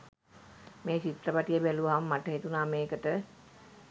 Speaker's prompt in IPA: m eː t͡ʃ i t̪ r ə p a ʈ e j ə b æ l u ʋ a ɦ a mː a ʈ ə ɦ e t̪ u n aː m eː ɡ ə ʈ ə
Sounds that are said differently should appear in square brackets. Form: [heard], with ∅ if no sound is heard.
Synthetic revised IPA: m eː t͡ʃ i t̪ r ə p a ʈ [i] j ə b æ l u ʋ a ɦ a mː a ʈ ə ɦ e t̪ u n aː m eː [k] ə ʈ ə